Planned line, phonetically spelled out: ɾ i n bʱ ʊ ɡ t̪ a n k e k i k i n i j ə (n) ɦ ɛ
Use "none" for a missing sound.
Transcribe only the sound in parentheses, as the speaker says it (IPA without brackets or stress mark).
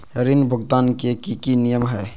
m